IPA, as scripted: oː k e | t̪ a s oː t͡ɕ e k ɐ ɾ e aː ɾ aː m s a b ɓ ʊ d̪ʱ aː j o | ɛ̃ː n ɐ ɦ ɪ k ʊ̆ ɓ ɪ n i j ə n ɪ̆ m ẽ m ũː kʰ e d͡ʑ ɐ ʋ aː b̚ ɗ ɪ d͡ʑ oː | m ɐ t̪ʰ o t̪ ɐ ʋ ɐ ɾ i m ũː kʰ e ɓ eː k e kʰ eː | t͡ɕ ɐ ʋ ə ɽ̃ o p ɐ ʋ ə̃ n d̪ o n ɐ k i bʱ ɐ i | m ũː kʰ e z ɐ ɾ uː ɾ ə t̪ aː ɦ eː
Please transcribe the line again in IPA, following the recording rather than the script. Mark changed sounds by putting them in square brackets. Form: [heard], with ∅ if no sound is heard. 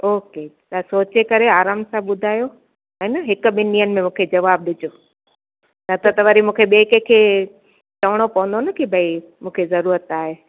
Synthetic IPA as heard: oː k e | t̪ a s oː t͡ɕ e k ɐ ɾ e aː ɾ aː m s a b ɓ ʊ d̪ʱ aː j o | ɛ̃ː n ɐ ɦ ɪ k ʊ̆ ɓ ɪ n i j ə n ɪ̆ m ẽ m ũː kʰ e d͡ʑ ɐ ʋ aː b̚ ɗ ɪ d͡ʑ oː | [n] ɐ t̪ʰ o t̪ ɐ ʋ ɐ ɾ i m ũː kʰ e ɓ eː k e kʰ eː | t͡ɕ ɐ ʋ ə ɽ̃ o p ɐ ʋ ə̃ n d̪ o n ɐ k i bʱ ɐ i | m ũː kʰ e z ɐ ɾ uː ɾ ə t̪ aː ɦ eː

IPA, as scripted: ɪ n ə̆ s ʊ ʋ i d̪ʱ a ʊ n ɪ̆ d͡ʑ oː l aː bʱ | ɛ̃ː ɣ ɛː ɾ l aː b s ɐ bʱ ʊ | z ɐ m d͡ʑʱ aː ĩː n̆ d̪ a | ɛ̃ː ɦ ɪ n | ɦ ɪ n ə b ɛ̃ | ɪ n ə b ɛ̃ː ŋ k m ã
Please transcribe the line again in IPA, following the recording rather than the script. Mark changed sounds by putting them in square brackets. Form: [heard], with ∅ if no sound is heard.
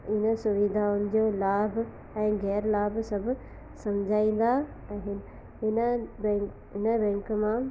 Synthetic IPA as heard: ɪ n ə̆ s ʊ ʋ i d̪ʱ a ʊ n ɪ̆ d͡ʑ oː l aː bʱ | ɛ̃ː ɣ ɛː ɾ l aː b s ɐ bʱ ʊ | [s] ɐ m d͡ʑʱ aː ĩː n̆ d̪ a | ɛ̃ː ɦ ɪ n | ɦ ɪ n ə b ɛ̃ | ɪ n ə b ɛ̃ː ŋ k m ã

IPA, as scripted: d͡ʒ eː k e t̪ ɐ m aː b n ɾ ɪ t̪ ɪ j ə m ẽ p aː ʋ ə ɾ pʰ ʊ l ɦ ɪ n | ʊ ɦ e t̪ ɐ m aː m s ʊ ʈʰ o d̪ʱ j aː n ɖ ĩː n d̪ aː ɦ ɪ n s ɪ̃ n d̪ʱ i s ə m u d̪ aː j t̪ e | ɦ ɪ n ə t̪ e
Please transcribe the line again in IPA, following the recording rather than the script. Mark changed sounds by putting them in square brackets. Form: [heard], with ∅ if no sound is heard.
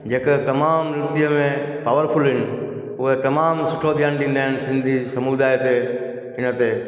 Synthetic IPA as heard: d͡ʒ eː k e t̪ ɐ m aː [m] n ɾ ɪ t̪ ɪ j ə m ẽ p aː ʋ ə ɾ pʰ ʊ l ɦ ɪ n | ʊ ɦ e t̪ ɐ m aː m s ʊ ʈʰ o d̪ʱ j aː n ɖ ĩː n d̪ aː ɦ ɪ n s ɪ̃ n d̪ʱ i s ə m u d̪ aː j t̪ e | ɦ ɪ n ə t̪ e

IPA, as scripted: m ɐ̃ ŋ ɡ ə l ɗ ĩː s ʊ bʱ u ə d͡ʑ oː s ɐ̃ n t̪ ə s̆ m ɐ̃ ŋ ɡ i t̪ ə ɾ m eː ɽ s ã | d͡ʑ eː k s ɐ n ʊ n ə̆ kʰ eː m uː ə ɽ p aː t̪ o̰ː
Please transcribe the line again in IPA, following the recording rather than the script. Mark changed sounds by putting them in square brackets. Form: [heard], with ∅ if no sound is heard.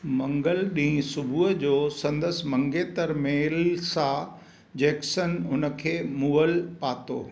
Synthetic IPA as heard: m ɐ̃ ŋ ɡ ə l ɗ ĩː s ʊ bʱ u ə d͡ʑ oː s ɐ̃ n [d̪] ə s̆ m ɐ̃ ŋ ɡ [e] t̪ ə ɾ m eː [l] s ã | d͡ʑ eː k s [ə] n ʊ n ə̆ kʰ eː m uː ə [l] p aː t̪ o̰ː

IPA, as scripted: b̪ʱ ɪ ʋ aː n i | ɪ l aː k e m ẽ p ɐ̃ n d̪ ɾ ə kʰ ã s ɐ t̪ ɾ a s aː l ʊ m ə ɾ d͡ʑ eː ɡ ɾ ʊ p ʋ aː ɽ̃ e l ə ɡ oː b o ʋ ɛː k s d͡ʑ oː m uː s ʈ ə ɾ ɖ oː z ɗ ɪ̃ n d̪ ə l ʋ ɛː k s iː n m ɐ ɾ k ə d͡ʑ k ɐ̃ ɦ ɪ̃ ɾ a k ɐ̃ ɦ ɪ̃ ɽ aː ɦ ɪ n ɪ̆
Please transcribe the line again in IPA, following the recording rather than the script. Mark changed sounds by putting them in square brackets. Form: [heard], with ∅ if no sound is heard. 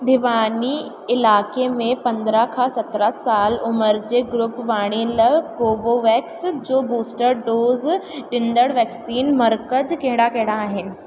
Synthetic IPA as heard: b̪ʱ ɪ ʋ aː n i | ɪ l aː k e m ẽ p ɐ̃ n d̪ ɾ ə kʰ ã s ɐ t̪ ɾ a s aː l ʊ m ə ɾ d͡ʑ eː ɡ ɾ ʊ p ʋ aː ɽ̃ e l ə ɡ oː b o ʋ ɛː k s d͡ʑ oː [b] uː s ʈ ə ɾ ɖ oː z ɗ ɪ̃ n d̪ ə [ɽ] ʋ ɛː k s iː n m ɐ ɾ k ə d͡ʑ k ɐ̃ ɦ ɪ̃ [ɽ] a k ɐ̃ ɦ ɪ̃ ɽ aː ɦ ɪ n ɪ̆

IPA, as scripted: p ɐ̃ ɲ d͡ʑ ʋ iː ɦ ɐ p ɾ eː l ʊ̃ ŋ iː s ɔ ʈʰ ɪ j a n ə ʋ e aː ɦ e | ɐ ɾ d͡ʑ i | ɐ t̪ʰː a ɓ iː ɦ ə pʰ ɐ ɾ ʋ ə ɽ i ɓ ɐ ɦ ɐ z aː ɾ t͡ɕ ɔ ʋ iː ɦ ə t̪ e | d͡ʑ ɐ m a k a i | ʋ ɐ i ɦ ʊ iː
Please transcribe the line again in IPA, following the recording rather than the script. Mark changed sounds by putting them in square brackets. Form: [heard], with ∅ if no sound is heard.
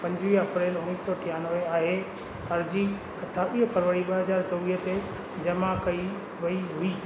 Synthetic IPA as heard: p ɐ̃ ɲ d͡ʑ ʋ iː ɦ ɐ p ɾ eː l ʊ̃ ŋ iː s ɔ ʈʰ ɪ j a n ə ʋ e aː ɦ e | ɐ ɾ d͡ʑ i | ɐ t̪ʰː a ɓ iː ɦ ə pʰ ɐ ɾ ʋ ə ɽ i ɓ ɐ ɦ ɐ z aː ɾ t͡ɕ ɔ ʋ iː ɦ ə t̪ e | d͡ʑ ɐ m a k [ɐ] i | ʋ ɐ i ɦ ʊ iː

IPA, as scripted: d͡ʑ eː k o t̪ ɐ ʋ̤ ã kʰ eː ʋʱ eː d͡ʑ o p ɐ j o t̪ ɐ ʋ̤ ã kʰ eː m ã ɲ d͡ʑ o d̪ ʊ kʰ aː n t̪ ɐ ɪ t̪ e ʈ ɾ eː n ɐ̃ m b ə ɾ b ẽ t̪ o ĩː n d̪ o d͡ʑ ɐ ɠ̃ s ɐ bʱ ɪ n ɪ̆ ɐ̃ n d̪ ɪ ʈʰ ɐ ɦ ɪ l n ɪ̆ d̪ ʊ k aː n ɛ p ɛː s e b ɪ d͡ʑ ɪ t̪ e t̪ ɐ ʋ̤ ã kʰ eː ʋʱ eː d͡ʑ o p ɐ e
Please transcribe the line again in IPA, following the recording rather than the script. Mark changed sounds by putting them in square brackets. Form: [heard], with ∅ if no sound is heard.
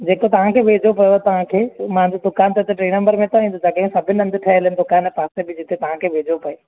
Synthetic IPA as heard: d͡ʑ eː k o t̪ ɐ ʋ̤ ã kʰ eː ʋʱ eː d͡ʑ o p ɐ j o t̪ ɐ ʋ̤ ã kʰ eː m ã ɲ d͡ʑ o d̪ ʊ [k] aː n t̪ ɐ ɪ t̪ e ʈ ɾ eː n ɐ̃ m b ə ɾ [m] ẽ t̪ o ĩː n d̪ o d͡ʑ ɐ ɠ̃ s ɐ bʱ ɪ n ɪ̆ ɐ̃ n d̪ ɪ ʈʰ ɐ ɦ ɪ l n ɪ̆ d̪ ʊ k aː n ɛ p [aː] s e b ɪ d͡ʑ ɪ t̪ e t̪ ɐ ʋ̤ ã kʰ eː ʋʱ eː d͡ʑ o p ɐ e

